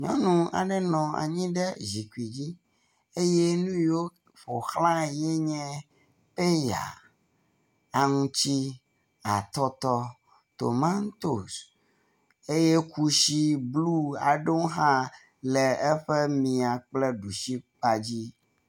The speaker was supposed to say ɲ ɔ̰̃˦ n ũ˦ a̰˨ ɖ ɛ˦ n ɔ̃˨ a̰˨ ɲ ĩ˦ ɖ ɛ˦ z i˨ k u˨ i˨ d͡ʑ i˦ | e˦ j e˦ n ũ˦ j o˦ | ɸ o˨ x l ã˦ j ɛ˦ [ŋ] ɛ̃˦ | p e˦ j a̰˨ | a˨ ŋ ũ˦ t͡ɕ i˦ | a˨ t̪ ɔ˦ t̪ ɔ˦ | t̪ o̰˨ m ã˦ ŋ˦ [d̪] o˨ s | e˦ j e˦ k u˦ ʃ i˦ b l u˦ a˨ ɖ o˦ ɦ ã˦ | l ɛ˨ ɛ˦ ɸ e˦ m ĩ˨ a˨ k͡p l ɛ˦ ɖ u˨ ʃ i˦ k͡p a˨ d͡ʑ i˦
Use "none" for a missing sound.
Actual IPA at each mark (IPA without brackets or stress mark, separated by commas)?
ɲ, t̪